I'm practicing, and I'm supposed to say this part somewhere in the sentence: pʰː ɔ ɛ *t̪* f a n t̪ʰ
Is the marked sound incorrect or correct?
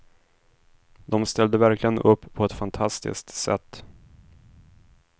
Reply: correct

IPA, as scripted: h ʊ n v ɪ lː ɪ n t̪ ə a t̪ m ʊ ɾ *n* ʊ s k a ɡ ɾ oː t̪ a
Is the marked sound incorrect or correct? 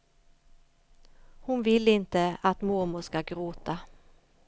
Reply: incorrect: m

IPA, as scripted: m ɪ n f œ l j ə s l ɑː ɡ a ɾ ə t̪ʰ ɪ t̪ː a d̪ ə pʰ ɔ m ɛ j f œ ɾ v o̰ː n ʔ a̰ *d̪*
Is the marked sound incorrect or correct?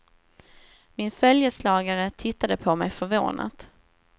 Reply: incorrect: t̪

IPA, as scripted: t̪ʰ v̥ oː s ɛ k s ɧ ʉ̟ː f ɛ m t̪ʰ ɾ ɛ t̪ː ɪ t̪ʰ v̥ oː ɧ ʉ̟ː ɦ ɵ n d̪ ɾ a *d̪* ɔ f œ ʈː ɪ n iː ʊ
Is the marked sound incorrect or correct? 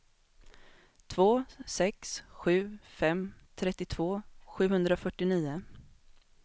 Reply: incorrect: none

